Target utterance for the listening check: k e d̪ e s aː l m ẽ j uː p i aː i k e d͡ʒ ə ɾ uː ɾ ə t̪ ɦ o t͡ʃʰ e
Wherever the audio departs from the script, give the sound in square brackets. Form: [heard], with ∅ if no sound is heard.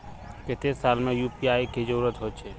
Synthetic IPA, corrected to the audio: k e [t̪] e s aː l m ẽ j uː p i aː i k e d͡ʒ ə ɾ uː ɾ ə t̪ ɦ o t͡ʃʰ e